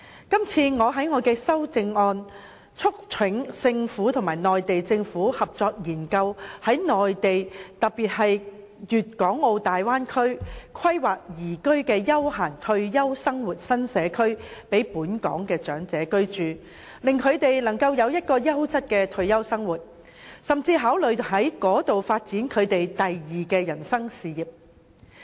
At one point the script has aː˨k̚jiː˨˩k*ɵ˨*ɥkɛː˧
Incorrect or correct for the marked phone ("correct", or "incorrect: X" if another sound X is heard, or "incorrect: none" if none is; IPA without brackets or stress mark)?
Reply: incorrect: ɵ˥